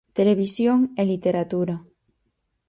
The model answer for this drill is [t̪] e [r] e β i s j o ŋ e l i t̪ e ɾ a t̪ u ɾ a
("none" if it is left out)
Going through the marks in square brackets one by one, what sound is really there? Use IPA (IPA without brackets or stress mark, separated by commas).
t̪, l